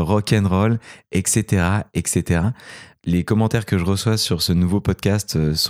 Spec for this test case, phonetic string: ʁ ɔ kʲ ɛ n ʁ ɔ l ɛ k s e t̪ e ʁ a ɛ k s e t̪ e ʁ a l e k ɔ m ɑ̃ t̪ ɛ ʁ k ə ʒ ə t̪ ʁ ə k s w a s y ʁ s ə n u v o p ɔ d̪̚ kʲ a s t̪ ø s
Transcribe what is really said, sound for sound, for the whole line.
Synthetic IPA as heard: ʁ ɔ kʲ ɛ n ʁ ɔ l ɛ k s e t̪ e ʁ a ɛ k s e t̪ e ʁ a l e k ɔ m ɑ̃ t̪ ɛ ʁ k ə ʒ ə ʁ ə s w a s y ʁ s ə n u v o p ɔ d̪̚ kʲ a s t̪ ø s